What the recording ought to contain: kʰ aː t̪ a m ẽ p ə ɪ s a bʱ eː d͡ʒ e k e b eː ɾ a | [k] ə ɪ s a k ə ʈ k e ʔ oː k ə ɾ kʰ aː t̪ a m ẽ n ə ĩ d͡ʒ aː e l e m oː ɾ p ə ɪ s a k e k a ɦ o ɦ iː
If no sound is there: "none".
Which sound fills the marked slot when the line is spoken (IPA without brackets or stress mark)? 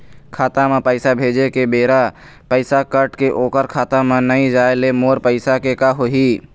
p